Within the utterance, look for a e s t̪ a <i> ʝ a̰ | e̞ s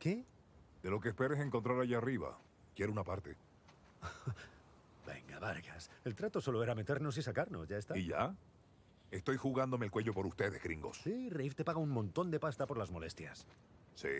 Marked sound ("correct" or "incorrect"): correct